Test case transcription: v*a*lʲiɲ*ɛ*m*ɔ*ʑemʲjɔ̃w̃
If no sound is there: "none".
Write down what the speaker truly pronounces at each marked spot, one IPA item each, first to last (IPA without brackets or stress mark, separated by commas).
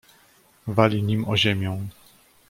a, i, ɔ